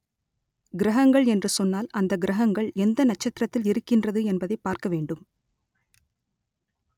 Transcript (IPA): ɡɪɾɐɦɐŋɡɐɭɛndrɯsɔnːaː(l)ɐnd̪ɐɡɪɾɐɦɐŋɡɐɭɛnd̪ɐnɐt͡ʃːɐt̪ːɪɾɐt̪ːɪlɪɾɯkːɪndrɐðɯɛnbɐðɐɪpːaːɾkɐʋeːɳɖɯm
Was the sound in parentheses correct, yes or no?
yes